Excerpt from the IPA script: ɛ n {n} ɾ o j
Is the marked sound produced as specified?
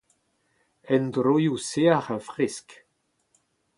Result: no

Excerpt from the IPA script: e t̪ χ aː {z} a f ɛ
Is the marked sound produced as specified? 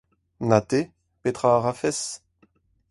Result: no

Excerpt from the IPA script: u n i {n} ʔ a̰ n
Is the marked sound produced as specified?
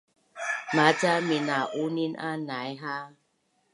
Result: yes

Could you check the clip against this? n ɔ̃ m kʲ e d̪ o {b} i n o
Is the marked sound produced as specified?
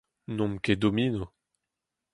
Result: no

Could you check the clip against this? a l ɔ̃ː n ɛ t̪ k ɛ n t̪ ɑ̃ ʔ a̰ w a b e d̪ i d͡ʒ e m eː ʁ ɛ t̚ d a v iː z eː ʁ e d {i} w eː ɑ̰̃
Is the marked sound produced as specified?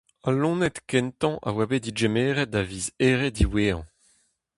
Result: yes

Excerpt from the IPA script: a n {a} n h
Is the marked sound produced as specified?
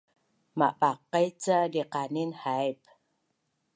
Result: no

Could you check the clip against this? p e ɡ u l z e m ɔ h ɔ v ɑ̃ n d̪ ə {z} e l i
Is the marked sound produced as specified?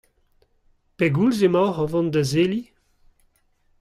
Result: yes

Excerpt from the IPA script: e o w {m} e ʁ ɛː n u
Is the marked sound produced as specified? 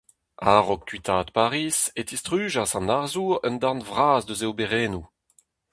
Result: no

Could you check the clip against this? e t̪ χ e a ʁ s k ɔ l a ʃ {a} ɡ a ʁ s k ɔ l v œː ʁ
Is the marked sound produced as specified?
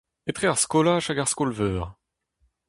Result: yes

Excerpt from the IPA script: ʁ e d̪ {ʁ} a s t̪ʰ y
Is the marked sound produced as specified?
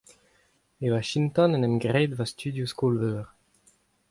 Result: no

